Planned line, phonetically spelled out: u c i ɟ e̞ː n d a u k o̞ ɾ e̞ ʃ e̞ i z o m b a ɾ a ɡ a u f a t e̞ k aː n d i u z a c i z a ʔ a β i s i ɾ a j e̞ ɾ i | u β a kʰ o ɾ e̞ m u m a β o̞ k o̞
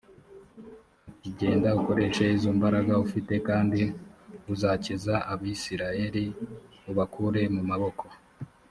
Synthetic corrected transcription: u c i ɟ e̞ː n d a u k o̞ ɾ e̞ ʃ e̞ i z o m b a ɾ a ɡ a u f i t e̞ k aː n d i u z a c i z a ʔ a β i s i ɾ a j e̞ ɾ i | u β a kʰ u ɾ e̞ m u m a β o̞ k o̞